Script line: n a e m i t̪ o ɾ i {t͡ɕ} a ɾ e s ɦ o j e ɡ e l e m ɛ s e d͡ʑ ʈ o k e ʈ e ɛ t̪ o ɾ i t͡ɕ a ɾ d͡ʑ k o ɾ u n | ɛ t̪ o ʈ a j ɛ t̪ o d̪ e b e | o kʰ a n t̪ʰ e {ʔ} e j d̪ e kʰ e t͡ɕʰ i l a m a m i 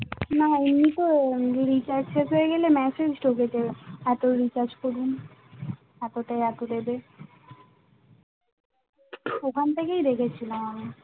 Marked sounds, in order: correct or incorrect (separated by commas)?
correct, incorrect